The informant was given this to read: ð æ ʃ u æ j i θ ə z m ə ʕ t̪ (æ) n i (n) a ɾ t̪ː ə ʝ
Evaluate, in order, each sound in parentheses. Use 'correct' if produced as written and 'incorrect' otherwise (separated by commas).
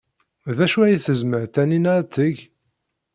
correct, correct